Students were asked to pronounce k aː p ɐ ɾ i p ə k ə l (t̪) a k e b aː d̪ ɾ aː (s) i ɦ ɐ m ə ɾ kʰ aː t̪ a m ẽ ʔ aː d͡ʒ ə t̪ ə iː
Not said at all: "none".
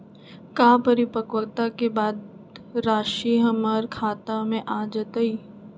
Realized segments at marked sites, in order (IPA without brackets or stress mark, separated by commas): t̪, ʃ